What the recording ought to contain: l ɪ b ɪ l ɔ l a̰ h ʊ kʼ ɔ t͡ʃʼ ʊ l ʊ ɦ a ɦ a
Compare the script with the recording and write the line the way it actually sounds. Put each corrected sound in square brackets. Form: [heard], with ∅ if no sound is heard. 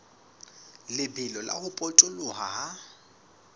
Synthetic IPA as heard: l ɪ b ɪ l ɔ l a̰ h ʊ [pʼ] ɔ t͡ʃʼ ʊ l ʊ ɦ a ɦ a